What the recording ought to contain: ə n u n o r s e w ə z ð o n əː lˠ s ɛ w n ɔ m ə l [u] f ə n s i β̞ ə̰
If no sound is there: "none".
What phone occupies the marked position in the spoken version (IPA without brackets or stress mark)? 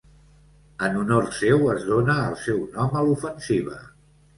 u